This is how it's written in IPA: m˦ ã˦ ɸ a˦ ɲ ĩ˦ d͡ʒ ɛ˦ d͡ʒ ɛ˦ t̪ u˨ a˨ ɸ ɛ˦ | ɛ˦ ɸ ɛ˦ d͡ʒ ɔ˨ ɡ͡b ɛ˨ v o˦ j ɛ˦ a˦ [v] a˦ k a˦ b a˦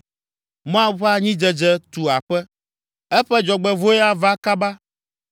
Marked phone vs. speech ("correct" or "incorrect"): correct